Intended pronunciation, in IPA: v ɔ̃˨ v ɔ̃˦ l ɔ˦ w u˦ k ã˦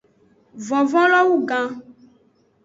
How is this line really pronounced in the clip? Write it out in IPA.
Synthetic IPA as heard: v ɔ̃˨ v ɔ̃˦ l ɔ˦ w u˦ ɡ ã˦